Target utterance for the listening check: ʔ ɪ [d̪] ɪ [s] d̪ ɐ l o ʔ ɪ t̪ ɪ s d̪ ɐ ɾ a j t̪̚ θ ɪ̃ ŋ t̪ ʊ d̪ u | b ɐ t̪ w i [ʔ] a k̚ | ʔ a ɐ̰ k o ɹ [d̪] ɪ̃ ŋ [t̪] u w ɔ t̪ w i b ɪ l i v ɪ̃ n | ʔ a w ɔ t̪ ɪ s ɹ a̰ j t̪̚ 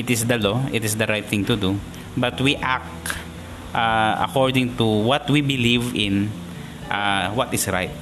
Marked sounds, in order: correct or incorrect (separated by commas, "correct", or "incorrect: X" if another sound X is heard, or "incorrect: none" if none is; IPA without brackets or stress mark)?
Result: incorrect: t̪, correct, correct, correct, correct